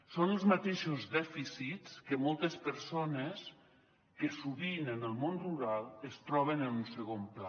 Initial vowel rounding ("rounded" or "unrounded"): rounded